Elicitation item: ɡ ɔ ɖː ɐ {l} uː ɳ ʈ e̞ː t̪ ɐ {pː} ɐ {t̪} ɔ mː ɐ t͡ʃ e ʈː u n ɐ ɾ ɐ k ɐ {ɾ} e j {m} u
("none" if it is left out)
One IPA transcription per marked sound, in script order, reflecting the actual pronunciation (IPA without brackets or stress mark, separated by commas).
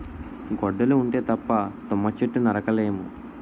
l, pː, t̪, l, m